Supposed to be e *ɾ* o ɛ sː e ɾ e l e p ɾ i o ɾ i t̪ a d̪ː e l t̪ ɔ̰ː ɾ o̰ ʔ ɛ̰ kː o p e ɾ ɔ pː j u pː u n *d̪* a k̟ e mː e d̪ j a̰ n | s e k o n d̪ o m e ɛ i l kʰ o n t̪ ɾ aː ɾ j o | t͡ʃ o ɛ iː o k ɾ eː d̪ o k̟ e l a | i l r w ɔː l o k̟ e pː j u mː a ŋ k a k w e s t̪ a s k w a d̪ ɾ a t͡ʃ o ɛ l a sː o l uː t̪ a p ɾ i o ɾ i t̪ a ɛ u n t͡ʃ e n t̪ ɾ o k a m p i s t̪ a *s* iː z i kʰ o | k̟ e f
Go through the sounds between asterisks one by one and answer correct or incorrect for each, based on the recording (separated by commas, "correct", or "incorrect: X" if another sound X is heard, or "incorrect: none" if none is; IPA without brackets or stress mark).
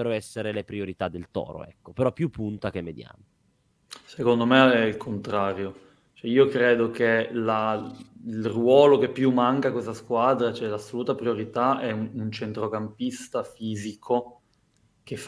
correct, incorrect: t̪, incorrect: f